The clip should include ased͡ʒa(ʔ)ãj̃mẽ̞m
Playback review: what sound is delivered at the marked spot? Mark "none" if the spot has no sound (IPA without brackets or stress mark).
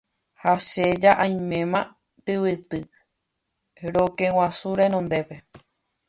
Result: ʔ